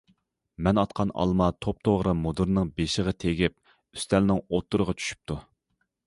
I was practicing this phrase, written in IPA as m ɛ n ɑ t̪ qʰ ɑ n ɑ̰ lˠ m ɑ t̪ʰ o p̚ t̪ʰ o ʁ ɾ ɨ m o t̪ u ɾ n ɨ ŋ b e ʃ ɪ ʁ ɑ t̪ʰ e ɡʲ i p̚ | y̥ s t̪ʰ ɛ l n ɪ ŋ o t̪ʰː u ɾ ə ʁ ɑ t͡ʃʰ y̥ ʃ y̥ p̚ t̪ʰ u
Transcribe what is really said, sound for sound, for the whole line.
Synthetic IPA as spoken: m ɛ n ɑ t̪ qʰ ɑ n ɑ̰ lˠ m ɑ t̪ʰ o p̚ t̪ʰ o ʁ ɾ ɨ m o d̪ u ɾ n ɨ ŋ b e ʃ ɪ ʁ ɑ t̪ʰ e ɡʲ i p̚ | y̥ s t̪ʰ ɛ l n ɪ ŋ o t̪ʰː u ɾ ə ʁ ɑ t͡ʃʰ y̥ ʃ y̥ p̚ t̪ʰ u